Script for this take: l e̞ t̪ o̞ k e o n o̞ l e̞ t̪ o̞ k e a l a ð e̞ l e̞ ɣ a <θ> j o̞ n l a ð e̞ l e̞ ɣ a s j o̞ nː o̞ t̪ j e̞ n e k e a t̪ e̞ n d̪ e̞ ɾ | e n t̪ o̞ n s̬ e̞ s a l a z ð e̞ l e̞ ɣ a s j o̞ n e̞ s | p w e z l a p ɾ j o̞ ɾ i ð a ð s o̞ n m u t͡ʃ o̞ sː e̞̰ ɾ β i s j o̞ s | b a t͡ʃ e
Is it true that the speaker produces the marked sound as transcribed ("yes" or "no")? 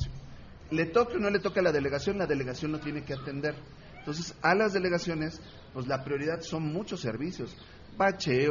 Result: no